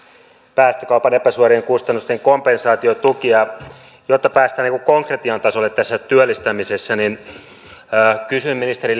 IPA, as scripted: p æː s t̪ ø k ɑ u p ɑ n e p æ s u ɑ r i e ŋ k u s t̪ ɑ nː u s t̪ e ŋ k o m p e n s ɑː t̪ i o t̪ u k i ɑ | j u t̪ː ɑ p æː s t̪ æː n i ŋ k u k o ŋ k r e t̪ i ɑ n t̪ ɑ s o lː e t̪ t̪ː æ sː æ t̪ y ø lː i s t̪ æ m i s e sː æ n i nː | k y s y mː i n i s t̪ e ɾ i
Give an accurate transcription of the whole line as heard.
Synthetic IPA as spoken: p æː s t̪ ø k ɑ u p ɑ n e p æ s u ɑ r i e ŋ k u s t̪ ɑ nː u s t̪ e ŋ k o m p e n s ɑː t̪ i o t̪ u k i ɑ | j o t̪ː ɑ p æː s t̪ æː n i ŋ k u k o ŋ k r e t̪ i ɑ n t̪ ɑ s o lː e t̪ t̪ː æ sː æ t̪ y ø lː i s t̪ æ m i s e sː æ n i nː | k y s y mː i n i s t̪ e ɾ i